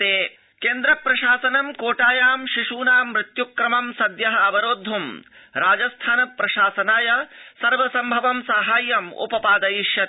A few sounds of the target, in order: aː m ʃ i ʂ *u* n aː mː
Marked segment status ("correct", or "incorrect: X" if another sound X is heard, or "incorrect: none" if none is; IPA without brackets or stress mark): incorrect: uː